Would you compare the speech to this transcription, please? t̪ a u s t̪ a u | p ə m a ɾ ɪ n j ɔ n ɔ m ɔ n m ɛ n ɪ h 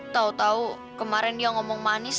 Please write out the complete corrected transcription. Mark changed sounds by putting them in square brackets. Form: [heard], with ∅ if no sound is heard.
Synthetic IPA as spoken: t̪ a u [∅] t̪ a u | [k] ə m a ɾ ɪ n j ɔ [ŋ] ɔ m ɔ [ŋ] m [a] n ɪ [s]